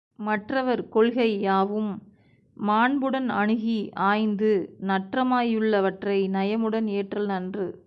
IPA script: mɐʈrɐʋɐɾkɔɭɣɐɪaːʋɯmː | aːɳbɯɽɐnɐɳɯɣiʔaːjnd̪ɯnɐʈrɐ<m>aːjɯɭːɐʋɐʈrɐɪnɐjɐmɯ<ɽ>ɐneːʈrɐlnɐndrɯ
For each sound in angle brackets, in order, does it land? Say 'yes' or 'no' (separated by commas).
yes, yes